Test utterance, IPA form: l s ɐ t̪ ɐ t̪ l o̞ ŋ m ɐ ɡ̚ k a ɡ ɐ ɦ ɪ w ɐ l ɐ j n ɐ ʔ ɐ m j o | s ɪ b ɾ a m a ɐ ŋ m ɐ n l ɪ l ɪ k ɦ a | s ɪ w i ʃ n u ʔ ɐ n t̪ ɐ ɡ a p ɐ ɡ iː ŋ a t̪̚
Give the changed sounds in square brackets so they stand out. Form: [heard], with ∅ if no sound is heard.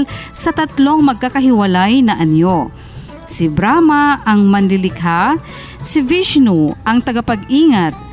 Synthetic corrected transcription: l s ɐ t̪ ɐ t̪ l o̞ ŋ m ɐ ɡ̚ k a [k] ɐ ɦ ɪ w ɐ l [a] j n ɐ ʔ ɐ [n] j o | s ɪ b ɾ a m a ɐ ŋ m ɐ n l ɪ l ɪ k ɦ a | s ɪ [v] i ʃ n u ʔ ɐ [ŋ] t̪ ɐ ɡ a p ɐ ɡ iː ŋ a t̪̚